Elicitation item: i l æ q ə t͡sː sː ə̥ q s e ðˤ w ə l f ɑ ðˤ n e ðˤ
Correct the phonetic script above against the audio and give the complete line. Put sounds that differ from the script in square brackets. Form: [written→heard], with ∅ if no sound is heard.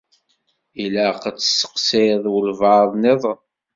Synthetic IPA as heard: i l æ q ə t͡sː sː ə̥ q s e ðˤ w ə l [f→v] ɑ ðˤ n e ðˤ

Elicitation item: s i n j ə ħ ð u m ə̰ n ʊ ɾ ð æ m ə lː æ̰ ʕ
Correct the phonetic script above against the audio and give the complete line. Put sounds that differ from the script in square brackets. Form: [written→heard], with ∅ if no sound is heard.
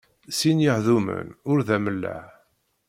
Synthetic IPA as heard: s i n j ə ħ ð u m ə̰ n ʊ ɾ ð æ m ə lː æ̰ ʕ

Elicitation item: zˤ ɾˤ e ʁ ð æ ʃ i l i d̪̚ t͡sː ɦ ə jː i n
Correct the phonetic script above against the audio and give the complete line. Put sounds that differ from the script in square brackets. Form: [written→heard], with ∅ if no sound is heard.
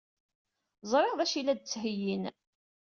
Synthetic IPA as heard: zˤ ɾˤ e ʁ ð æ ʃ i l [i→æ] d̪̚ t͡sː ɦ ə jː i n

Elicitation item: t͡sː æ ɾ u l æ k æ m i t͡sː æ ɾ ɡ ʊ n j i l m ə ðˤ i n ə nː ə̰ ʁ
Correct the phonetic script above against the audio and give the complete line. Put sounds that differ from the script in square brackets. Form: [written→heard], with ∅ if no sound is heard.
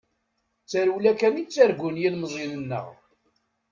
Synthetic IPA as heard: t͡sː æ ɾ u l æ k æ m i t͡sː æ ɾ ɡ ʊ n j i l m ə [ðˤ→zˤ] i n ə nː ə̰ ʁ

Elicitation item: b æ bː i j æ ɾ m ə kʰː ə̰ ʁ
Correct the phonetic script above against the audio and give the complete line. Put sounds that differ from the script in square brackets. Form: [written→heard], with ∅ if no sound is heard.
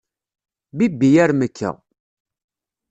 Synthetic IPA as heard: b [æ→i] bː i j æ ɾ m ə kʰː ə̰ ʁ

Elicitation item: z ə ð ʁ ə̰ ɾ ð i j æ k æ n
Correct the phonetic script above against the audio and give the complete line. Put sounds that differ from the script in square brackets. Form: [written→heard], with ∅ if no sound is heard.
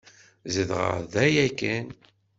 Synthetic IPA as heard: z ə ð ʁ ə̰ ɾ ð [i→æ] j æ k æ n

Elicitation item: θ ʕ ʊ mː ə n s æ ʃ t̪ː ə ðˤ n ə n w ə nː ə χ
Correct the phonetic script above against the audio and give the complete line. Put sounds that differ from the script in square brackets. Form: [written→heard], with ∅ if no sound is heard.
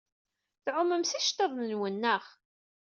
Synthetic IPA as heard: θ ʕ ʊ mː ə [n→m] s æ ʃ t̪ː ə ðˤ n ə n w ə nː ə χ

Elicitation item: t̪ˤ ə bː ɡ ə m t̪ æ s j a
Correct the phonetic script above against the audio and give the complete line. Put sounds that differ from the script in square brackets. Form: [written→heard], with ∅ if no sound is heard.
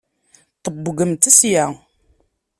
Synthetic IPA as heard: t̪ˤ ə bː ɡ ə m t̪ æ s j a

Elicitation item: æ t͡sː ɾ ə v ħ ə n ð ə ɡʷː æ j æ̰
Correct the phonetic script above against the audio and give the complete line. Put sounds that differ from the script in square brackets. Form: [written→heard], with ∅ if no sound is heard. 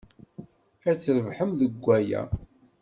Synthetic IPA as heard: æ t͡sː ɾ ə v ħ ə [n→m] ð ə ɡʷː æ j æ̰

